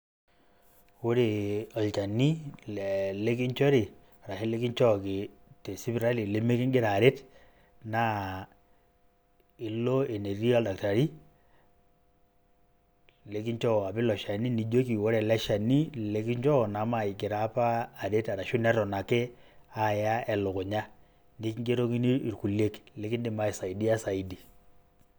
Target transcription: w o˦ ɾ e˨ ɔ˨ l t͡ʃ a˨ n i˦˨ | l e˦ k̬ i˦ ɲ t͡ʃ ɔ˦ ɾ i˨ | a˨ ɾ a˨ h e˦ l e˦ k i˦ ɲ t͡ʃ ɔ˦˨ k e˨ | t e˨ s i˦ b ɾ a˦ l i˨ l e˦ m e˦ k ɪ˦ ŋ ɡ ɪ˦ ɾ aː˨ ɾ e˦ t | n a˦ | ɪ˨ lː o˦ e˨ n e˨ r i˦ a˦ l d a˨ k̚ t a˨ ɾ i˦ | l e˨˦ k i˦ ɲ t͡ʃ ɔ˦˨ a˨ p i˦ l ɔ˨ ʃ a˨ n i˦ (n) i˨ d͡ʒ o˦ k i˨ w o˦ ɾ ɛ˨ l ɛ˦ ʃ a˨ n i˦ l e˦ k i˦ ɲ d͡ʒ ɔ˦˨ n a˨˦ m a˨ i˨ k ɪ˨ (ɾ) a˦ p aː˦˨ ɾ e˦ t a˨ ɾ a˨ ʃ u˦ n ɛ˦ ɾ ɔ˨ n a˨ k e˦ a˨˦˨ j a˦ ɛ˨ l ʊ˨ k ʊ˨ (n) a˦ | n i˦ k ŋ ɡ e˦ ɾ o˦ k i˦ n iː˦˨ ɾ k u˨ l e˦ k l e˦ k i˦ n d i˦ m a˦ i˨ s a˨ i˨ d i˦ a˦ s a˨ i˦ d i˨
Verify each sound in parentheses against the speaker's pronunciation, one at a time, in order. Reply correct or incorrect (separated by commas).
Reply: correct, correct, incorrect